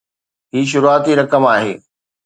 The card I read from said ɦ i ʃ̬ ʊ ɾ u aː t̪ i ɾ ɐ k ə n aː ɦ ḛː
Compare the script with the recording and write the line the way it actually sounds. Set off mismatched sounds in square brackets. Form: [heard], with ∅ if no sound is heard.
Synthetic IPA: ɦ [iː] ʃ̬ ʊ ɾ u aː t̪ i ɾ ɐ k ə [m] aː ɦ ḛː